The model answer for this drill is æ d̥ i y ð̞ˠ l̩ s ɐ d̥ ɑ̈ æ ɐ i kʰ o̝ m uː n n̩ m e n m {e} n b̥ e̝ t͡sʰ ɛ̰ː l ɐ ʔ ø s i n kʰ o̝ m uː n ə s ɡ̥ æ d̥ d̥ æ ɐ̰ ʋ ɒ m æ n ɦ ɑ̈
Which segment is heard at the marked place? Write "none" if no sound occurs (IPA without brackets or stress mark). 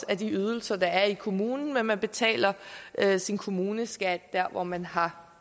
æ